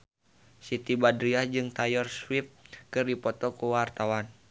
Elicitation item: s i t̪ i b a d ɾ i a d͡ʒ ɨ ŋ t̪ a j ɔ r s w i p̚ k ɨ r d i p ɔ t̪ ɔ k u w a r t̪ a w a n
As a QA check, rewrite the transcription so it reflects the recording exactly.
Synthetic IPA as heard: s i t̪ i b a d ɾ i a d͡ʒ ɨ ŋ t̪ a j ɔ r s w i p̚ k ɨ r d i p ɔ t̪ ɔ k u w a r t̪ a w a n

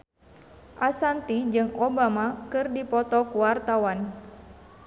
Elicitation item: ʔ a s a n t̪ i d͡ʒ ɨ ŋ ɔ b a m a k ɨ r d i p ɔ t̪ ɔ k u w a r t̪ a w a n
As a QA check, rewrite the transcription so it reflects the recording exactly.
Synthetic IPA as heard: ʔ a s a n t̪ i d͡ʒ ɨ ŋ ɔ b a m a k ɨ r d i p ɔ t̪ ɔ k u w a r t̪ a w a n

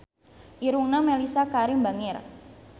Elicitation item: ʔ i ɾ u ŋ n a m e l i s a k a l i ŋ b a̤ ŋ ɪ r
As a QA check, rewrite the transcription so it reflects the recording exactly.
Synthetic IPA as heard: ʔ i ɾ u ŋ n a m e l i s a k a ɾ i m b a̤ ŋ ɪ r

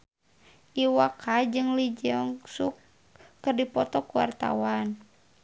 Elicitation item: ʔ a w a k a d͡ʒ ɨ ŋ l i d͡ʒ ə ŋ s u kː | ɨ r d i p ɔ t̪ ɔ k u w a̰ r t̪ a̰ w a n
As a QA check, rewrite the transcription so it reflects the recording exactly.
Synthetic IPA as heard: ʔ i w a k a d͡ʒ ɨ ŋ l i d͡ʒ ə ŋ s u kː | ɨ r d i p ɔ t̪ ɔ k u w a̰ r t̪ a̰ w a n

